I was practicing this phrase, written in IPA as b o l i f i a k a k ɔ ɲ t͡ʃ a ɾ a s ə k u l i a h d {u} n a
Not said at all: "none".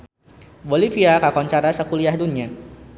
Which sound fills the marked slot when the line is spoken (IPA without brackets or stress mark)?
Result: u